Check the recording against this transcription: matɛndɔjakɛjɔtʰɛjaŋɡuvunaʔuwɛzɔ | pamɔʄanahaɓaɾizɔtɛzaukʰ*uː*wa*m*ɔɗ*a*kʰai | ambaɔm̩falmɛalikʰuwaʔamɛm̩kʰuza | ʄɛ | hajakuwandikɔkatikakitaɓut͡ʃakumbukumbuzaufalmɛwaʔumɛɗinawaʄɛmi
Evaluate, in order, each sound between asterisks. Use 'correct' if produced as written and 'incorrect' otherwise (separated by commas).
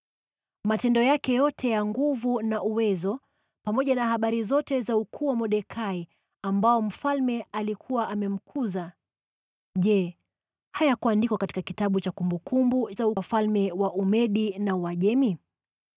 correct, correct, incorrect